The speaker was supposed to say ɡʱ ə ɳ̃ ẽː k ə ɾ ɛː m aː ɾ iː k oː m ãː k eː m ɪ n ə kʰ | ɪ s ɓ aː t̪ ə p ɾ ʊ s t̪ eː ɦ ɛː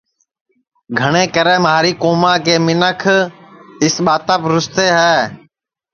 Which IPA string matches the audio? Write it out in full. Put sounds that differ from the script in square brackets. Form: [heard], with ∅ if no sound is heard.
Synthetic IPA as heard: ɡʱ ə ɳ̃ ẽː k ə ɾ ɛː m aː ɾ iː k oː m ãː k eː m ɪ n ə kʰ | ɪ s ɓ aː t̪ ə p ɾ ʊ s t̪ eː ɦ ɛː